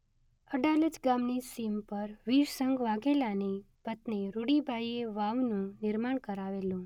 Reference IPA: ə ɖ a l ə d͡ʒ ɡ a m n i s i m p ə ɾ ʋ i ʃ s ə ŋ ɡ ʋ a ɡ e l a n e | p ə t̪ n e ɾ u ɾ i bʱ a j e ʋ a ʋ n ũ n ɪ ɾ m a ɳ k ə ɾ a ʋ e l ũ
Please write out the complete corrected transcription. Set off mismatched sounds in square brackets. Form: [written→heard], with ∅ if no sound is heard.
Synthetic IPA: ə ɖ a l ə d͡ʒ ɡ a m n i s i m p ə ɾ ʋ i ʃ s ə ŋ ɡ ʋ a ɡ e l a n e | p ə t̪ n e ɾ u [ɾ→ɽ] i bʱ a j e ʋ a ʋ n ũ n ɪ ɾ m a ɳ k ə ɾ a ʋ e l ũ